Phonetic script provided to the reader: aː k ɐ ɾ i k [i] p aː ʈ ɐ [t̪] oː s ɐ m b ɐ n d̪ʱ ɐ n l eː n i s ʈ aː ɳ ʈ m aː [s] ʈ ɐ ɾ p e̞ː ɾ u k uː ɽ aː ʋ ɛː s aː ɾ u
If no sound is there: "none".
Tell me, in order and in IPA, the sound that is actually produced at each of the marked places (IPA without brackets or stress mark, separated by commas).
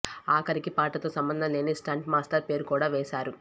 i, t̪, s